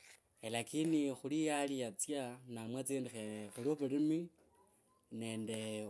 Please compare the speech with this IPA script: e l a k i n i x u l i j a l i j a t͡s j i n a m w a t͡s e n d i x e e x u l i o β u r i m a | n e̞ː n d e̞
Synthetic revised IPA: e l a k i n i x u l i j a l i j a t͡s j a n a m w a t͡s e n d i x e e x u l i o β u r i m i | n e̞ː n d e̞